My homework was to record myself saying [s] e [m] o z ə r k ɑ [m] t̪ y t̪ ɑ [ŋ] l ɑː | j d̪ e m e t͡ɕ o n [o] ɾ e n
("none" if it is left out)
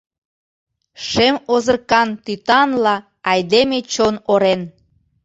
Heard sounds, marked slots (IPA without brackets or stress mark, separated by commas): ʃ, m, n, n, o